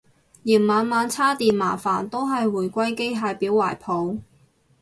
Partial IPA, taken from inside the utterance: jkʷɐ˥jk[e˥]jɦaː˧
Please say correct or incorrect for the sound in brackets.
correct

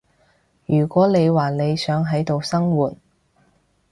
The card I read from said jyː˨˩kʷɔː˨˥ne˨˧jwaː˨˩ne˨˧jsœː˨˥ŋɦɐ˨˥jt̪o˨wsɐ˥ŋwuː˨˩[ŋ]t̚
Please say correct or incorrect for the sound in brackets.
incorrect: none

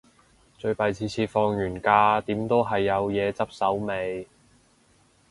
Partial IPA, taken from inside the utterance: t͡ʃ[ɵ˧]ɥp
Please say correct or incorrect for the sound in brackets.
correct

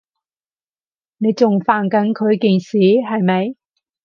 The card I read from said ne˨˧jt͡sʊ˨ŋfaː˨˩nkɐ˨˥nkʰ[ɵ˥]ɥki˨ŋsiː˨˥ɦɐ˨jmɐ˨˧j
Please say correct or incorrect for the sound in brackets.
incorrect: ɵ˨˧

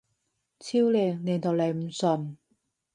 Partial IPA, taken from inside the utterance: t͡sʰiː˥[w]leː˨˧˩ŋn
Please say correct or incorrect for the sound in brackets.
correct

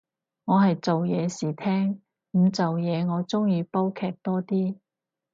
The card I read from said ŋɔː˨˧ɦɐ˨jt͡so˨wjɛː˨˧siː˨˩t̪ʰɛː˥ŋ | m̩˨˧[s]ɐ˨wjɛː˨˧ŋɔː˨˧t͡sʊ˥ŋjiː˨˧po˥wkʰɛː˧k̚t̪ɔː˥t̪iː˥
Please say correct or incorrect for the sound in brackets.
incorrect: t͡s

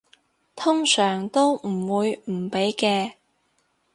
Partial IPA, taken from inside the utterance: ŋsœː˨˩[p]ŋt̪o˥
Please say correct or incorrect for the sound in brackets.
incorrect: none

